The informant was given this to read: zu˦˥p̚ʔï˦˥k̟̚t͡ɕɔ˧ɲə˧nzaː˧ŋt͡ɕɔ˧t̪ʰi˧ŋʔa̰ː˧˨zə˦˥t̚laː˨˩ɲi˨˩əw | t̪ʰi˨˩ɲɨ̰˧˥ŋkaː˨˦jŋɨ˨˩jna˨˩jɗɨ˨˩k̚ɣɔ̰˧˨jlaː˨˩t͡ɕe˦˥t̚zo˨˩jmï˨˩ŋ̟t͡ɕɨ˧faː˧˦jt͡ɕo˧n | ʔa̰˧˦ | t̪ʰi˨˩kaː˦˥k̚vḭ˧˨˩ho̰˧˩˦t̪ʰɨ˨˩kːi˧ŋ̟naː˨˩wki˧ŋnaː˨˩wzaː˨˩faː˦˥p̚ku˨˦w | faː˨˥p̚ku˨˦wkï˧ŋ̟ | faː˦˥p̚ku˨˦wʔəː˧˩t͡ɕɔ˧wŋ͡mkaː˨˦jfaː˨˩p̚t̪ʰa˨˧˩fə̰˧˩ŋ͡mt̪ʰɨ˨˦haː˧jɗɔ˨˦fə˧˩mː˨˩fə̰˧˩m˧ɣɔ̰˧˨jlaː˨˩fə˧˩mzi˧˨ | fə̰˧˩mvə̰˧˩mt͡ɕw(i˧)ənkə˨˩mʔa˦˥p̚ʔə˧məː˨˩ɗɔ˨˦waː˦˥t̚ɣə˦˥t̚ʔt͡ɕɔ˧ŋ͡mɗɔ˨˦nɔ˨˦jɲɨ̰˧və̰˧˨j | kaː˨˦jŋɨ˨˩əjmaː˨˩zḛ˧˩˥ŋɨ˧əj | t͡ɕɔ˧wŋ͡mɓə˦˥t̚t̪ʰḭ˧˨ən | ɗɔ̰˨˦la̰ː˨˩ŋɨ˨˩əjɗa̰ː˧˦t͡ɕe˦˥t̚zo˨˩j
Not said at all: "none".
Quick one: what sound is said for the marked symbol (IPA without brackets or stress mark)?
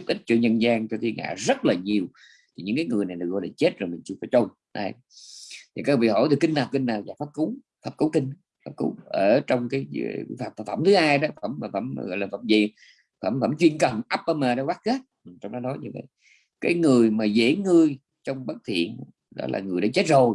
i˧